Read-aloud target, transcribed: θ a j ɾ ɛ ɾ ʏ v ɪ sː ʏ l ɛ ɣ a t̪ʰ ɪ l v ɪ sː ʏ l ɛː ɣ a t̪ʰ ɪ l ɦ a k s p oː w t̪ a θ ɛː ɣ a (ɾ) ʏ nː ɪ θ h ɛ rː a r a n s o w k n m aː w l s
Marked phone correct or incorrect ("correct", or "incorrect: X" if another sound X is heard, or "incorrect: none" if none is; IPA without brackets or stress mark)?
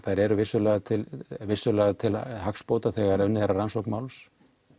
correct